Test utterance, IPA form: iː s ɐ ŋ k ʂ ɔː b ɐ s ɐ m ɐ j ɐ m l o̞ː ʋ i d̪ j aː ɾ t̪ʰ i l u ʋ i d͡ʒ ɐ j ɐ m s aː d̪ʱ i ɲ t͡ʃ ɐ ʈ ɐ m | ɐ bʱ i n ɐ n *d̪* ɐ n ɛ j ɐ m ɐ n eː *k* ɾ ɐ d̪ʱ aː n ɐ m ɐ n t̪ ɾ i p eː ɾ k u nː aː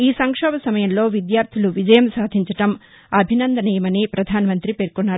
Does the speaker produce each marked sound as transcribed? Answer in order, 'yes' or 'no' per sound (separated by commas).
yes, no